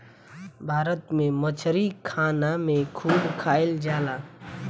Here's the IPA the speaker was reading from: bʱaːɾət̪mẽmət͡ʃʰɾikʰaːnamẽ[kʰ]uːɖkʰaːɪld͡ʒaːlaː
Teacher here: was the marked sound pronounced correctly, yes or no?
yes